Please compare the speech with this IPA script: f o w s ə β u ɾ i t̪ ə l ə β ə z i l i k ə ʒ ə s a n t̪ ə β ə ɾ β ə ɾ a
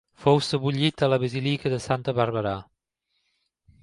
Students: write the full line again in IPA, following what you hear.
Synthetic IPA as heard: f o w s ə β u ʎ i t̪ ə l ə β ə z i l i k ə ð ə s a n t̪ ə β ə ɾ β ə ɾ a